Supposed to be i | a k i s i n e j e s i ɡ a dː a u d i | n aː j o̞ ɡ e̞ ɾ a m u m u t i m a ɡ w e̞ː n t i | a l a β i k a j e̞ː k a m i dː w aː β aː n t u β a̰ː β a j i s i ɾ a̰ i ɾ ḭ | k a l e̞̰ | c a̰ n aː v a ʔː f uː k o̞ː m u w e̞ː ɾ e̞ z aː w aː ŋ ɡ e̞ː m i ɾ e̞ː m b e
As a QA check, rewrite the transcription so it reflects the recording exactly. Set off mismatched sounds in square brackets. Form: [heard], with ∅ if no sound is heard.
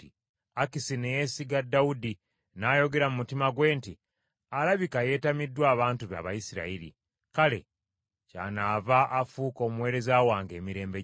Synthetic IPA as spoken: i | a k i s i n e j e s i ɡ a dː a u d i | n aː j o̞ ɡ e̞ ɾ a m u m u t i m a ɡ w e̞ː n t i | a l a β i k a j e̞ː [t] a m i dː w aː β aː n t u β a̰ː β a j i s i ɾ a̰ i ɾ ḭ | k a l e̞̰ | c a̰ n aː v a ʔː f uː k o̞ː m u w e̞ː ɾ e̞ z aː w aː ŋ ɡ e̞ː m i ɾ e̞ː m b e